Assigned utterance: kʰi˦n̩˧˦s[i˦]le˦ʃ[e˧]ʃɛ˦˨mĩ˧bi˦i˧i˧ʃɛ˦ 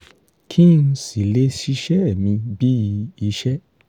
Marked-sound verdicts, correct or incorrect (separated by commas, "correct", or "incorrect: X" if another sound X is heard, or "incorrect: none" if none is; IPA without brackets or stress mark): incorrect: i˨, incorrect: i˧